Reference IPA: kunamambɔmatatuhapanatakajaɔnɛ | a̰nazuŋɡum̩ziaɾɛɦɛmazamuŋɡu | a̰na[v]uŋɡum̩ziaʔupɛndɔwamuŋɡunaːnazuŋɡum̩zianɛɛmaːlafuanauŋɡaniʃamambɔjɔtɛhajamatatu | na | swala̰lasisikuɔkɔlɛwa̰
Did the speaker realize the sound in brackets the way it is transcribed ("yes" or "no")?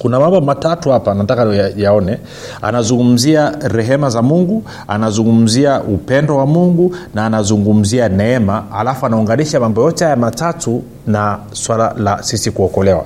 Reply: no